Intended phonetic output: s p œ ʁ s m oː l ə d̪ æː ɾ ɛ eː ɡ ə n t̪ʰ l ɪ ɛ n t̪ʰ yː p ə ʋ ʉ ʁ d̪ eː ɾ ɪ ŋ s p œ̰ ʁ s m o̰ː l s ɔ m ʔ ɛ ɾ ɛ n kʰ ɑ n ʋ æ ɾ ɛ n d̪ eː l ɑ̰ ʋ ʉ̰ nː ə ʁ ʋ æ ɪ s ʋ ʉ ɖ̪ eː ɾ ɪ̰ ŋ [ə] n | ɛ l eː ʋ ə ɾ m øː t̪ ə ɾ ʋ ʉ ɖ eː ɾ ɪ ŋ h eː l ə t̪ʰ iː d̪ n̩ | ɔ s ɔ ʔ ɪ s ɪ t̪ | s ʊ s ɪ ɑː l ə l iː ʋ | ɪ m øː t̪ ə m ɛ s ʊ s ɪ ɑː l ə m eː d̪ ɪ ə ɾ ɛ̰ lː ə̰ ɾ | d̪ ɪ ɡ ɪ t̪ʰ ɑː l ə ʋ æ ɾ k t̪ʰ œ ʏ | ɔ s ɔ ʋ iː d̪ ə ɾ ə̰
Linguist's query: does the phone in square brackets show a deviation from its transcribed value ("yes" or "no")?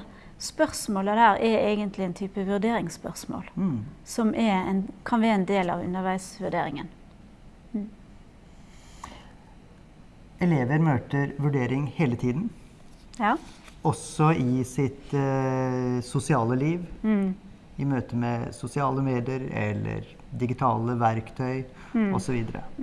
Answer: no